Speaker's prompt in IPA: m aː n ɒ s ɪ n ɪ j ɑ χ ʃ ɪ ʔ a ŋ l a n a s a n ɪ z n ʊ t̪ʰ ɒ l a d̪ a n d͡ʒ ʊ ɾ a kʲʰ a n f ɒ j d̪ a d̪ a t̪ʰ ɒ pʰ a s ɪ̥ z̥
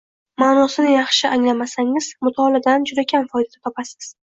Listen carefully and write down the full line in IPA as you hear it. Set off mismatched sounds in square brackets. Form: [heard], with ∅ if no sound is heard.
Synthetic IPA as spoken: m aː n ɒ s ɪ n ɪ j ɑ χ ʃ ɪ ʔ a ŋ l a [m] a s a [ŋ] ɪ z [m] ʊ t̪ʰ ɒ l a d̪ a n d͡ʒ ʊ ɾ a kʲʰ a n f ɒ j d̪ a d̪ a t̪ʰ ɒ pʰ a s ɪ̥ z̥